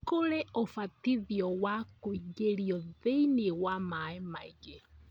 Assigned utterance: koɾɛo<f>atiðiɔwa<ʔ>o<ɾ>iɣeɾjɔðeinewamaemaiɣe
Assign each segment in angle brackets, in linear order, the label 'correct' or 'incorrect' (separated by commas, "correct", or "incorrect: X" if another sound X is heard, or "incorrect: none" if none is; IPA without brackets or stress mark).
correct, incorrect: k, incorrect: none